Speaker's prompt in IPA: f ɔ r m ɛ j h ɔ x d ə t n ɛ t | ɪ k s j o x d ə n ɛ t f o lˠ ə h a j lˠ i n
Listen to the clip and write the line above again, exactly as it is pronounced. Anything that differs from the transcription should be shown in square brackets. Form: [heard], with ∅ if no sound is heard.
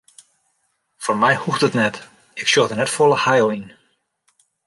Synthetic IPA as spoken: f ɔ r m ɛ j h [u] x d ə t n ɛ t | ɪ k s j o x d ə n ɛ t f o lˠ ə h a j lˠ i n